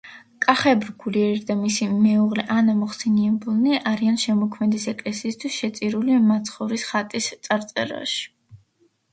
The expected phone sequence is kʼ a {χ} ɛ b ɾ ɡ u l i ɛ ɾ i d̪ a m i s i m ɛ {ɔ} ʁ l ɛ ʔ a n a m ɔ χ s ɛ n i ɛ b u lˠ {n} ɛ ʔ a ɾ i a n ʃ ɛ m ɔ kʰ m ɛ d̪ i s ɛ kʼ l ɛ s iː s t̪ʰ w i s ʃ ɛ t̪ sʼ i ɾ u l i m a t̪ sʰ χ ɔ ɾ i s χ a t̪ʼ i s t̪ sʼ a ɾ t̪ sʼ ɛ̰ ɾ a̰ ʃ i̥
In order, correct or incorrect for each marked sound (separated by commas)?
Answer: correct, incorrect, correct